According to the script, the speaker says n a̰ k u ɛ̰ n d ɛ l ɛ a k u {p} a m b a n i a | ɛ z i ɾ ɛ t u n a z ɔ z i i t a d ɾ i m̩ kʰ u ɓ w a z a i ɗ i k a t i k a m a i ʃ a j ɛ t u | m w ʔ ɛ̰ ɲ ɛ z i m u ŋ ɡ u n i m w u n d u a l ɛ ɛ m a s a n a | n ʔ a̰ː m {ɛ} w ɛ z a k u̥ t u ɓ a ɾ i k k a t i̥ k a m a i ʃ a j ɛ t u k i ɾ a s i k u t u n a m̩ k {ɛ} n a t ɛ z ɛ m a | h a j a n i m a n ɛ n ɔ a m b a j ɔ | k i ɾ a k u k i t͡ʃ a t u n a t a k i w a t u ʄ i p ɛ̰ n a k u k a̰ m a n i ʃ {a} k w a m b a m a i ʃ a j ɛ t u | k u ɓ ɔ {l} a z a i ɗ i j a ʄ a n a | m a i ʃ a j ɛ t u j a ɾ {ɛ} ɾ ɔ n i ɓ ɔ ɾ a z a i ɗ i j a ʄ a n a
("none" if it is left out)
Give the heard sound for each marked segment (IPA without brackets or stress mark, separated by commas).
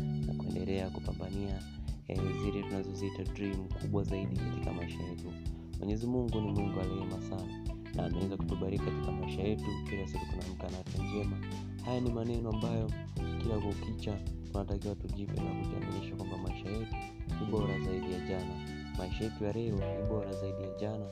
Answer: p, ɛ, a, a, ɾ, ɛ